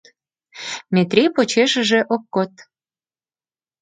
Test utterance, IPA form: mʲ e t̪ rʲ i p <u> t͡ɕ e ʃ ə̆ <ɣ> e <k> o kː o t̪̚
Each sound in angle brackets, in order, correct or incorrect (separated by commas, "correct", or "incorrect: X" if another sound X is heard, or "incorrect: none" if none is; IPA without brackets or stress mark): incorrect: o, incorrect: ʒ, incorrect: ʔ